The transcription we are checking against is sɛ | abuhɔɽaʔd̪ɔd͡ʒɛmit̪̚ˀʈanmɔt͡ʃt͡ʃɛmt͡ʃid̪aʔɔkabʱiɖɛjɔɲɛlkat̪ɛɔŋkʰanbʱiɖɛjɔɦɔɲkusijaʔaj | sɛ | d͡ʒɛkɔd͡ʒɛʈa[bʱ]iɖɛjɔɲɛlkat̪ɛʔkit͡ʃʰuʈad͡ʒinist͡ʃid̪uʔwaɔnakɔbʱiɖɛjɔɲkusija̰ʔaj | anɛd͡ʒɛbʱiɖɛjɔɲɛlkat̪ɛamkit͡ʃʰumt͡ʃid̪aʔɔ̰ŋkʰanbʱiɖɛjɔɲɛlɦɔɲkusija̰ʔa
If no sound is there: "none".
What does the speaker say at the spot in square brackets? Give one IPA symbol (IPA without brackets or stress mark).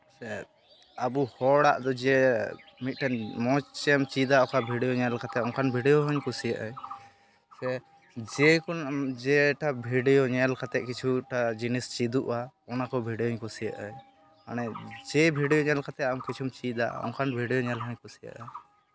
bʱ